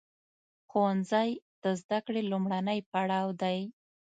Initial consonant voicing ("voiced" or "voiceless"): voiceless